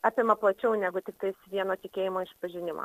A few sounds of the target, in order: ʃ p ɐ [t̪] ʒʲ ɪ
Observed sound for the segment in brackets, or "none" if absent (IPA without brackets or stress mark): none